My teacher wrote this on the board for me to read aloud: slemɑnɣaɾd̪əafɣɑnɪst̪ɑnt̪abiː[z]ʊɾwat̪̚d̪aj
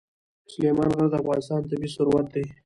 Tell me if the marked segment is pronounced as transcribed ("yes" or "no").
no